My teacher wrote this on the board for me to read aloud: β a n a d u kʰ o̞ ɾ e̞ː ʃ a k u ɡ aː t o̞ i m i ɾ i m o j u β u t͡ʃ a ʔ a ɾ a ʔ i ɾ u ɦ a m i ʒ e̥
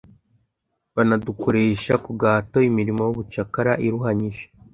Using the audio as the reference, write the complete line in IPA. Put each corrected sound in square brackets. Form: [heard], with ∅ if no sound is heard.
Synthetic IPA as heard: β a n a d u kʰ o̞ ɾ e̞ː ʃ a k u ɡ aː t o̞ i m i ɾ i m o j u β u t͡ʃ a [k] a ɾ a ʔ i ɾ u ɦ a [ɲ] i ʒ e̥